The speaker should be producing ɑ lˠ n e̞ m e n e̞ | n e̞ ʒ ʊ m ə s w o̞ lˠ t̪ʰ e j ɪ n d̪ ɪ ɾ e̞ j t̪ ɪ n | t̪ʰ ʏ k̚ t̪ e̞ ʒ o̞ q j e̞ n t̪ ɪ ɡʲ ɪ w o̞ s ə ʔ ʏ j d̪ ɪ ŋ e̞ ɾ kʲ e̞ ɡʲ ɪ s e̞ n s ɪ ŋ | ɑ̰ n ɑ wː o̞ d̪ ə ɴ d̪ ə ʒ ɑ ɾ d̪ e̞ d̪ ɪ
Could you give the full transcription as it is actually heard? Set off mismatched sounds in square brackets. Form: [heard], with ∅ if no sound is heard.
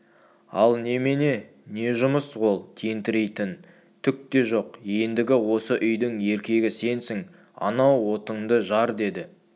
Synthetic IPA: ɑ lˠ n e̞ m e n e̞ | n e̞ ʒ ʊ m ə s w o̞ lˠ t̪ʰ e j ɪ n [t̪] ɪ ɾ e̞ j t̪ ɪ n | t̪ʰ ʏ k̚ t̪ e̞ ʒ o̞ q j e̞ n [d̪] ɪ ɡʲ ɪ w o̞ s ə ʔ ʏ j d̪ ɪ ŋ e̞ ɾ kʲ e̞ ɡʲ ɪ s e̞ n s ɪ ŋ | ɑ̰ n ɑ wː o̞ [t̪] ə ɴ d̪ ə ʒ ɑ ɾ d̪ e̞ d̪ ɪ